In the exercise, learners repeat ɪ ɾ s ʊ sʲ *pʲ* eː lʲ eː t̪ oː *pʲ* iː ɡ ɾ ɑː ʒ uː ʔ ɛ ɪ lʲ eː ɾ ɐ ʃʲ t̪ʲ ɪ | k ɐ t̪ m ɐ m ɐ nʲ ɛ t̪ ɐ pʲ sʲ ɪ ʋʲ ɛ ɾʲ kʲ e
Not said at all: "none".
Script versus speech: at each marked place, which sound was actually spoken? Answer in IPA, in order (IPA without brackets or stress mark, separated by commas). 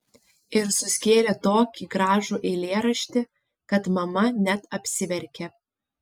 kʲ, kʲ